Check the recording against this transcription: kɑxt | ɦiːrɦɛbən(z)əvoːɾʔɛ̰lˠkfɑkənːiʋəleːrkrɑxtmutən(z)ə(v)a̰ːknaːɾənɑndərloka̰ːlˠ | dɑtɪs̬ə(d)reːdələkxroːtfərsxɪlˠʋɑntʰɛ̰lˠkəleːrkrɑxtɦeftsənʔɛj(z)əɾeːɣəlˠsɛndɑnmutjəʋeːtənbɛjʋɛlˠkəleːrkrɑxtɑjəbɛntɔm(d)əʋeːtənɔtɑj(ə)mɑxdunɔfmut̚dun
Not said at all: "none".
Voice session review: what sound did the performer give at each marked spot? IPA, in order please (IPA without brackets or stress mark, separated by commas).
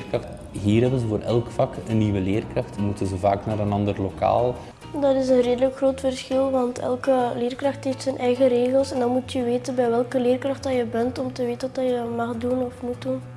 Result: z, z, v, n, ɣ, t, ə